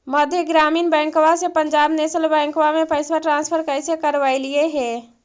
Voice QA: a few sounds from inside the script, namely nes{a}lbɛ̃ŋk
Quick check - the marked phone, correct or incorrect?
incorrect